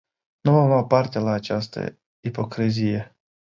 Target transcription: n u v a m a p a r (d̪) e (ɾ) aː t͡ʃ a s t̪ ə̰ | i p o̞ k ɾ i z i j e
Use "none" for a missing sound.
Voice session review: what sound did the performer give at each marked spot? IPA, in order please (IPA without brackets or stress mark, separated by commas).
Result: t̪, l